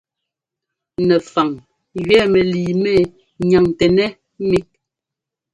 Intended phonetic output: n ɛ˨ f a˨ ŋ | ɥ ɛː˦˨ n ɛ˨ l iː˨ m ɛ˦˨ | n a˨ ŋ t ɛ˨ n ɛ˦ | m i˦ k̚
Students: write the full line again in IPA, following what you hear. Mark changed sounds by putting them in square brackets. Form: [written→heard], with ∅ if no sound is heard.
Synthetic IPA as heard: n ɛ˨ f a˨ ŋ | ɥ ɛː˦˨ [n→m] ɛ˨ l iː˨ m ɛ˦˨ | [n→ɲ] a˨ ŋ t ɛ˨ n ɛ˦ | m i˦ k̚